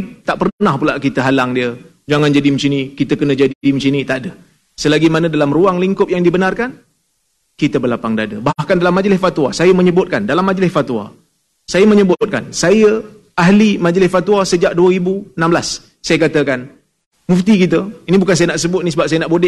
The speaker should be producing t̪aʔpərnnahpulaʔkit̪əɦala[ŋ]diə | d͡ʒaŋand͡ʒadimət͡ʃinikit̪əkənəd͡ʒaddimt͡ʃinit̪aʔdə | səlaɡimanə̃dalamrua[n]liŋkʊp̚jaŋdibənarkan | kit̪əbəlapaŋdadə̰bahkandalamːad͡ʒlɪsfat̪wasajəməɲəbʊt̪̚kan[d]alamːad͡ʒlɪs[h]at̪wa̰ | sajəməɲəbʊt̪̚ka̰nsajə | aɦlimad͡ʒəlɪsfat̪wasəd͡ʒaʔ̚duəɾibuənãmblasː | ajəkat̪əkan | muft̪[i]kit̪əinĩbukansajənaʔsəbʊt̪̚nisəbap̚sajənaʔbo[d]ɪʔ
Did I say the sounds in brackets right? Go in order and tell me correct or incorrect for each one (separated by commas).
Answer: correct, incorrect, correct, incorrect, correct, correct